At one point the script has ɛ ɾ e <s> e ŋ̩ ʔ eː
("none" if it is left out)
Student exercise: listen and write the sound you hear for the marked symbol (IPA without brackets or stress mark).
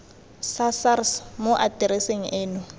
s